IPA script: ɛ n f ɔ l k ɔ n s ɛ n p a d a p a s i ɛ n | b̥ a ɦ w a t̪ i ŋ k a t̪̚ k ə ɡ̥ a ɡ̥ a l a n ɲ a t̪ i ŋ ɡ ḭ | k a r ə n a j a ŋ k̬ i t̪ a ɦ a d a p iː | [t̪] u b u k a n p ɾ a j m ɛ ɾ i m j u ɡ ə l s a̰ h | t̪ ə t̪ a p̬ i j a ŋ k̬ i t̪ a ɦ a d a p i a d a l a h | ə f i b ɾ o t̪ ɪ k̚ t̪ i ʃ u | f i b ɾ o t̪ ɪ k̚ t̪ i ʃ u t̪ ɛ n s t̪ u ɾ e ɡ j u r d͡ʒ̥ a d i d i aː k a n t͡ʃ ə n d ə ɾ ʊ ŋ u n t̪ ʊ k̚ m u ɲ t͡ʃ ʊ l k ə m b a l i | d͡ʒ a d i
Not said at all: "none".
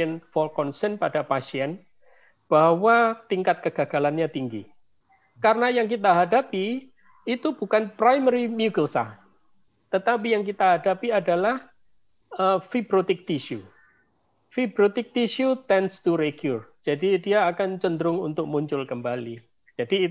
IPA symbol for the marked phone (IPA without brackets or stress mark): t̪